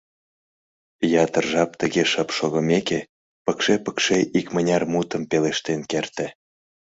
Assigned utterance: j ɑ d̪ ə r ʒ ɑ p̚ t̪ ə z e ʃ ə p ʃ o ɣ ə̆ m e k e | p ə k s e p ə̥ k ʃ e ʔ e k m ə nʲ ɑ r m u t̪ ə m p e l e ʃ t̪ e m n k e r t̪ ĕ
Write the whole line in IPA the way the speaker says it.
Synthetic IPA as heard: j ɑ t̪ ə r ʒ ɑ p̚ t̪ ə ɣ e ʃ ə p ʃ o ɣ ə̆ m e k e | p ə k ʃ e p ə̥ k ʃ e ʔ i k m ə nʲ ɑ r m u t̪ ə m p e l e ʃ t̪ e n k e r t̪ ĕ